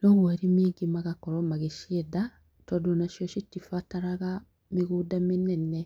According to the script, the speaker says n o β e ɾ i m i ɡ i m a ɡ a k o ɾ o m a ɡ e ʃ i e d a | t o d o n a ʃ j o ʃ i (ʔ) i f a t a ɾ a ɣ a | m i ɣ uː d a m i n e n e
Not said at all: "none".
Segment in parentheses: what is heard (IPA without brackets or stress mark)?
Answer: t